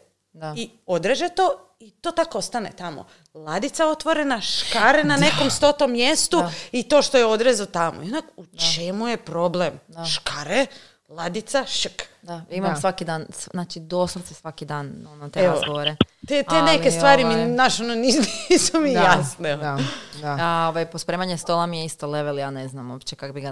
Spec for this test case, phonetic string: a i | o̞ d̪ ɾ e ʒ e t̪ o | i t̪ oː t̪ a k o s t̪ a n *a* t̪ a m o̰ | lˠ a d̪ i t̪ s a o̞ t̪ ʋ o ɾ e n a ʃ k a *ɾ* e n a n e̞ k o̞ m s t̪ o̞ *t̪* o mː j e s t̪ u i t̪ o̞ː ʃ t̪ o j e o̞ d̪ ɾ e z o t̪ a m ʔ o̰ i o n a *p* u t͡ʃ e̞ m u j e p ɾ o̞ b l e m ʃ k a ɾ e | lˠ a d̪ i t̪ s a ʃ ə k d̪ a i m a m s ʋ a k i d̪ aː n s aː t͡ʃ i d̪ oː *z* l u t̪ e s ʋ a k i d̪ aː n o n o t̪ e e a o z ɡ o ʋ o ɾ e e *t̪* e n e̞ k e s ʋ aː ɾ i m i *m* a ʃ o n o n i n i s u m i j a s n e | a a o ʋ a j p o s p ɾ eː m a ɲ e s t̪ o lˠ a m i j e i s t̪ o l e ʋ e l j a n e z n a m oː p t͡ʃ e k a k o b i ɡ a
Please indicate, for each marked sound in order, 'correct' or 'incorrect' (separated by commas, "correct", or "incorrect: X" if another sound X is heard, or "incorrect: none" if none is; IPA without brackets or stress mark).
incorrect: e, correct, correct, incorrect: k, incorrect: s, correct, incorrect: n